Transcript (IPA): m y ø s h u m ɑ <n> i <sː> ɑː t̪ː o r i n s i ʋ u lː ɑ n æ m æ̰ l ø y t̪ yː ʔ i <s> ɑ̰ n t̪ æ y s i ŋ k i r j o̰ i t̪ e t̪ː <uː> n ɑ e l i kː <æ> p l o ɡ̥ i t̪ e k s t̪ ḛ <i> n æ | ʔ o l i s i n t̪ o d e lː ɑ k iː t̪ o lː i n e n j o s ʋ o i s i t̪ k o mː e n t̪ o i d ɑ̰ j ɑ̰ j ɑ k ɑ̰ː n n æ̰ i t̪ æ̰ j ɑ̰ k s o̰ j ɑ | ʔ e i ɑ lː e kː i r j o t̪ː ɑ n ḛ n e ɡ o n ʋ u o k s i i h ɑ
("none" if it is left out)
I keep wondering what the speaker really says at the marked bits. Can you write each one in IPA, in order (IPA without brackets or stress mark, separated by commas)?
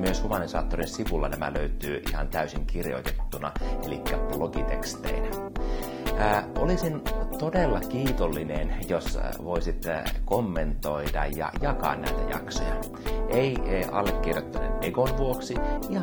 n, s, h, u, æ, i